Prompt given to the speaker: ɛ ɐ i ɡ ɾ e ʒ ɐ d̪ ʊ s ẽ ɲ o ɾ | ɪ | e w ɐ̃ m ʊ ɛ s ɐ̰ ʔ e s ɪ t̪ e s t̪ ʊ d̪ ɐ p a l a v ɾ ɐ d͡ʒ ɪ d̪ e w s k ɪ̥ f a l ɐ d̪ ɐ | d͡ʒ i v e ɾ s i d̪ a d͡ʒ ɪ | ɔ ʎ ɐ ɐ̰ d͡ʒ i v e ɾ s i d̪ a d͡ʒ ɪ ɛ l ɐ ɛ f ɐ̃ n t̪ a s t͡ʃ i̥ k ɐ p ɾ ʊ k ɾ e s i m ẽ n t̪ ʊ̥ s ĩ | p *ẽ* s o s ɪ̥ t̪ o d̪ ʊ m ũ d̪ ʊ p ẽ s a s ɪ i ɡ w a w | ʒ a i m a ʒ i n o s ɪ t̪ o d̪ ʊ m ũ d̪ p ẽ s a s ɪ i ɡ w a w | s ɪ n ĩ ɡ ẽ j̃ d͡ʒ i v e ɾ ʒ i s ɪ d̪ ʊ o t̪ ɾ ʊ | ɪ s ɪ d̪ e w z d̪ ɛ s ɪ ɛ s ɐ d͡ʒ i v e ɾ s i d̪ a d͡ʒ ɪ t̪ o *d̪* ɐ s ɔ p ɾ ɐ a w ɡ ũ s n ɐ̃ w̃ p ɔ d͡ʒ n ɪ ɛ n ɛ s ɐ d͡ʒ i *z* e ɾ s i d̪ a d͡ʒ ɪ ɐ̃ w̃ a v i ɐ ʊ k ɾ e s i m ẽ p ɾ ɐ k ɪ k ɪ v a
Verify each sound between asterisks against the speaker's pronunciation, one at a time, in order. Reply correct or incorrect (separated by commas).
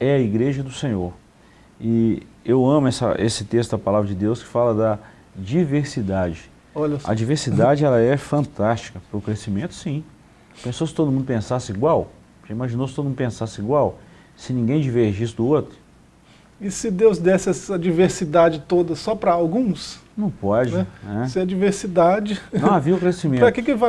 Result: correct, correct, incorrect